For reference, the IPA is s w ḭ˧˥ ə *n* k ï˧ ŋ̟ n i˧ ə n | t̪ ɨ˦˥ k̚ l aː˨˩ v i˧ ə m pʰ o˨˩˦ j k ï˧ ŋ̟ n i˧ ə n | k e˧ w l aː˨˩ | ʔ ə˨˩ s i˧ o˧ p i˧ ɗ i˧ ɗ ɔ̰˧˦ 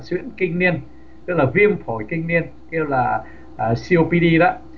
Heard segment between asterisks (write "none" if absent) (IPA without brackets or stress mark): n